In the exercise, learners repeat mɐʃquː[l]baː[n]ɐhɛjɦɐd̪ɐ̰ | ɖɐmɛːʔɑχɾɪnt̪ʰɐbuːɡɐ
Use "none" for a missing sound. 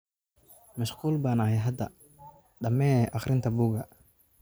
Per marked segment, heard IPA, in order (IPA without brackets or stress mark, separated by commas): l, n